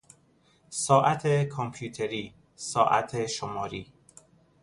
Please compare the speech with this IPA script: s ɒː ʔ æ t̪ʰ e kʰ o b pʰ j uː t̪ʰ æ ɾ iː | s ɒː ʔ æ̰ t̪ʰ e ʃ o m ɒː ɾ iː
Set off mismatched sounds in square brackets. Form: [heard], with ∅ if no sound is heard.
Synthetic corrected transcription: s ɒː ʔ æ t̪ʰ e kʰ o [m] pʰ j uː t̪ʰ [e] ɾ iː | s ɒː ʔ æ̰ t̪ʰ e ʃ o m ɒː ɾ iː

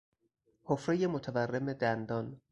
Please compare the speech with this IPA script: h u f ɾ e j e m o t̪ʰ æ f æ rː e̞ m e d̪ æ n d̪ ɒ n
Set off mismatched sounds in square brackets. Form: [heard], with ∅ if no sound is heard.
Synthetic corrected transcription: h [o] f ɾ e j e m o t̪ʰ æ [v] æ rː e̞ m e d̪ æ n d̪ ɒ n

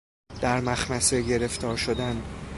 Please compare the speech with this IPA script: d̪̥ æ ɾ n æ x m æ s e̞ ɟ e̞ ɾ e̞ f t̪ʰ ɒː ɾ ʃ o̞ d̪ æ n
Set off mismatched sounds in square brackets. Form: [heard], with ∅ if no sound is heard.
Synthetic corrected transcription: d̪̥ æ ɾ [m] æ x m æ s e̞ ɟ e̞ ɾ e̞ f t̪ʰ ɒː ɾ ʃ o̞ d̪ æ n

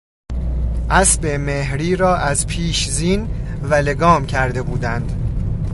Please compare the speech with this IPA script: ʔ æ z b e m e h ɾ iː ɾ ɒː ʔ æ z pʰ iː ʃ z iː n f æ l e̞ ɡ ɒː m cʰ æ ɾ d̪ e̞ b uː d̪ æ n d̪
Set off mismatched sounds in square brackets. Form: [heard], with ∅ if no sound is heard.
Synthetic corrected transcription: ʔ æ [s] b e m e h ɾ iː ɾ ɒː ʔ æ z pʰ iː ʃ z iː n [v] æ l e̞ ɡ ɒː m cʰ æ ɾ d̪ e̞ b uː d̪ æ n d̪

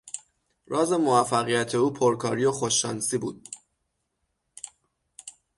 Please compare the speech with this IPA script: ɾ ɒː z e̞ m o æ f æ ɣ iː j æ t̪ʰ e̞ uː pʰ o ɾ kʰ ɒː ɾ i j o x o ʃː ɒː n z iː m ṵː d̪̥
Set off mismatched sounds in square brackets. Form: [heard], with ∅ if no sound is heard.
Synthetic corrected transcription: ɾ ɒː z e̞ m o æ f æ ɣ [i] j æ t̪ʰ e̞ uː pʰ o ɾ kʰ ɒː ɾ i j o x o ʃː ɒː n [s] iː [b] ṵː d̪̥

